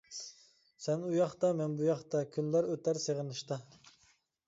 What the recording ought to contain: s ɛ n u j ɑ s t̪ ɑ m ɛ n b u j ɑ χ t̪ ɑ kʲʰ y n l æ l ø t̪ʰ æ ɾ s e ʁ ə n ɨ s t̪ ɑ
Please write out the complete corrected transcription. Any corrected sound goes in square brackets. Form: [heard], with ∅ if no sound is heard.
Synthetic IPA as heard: s ɛ n u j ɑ [χ] t̪ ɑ m ɛ n b u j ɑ χ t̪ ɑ kʲʰ y n l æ [ɾ] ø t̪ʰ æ ɾ s e ʁ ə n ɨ [ʃ] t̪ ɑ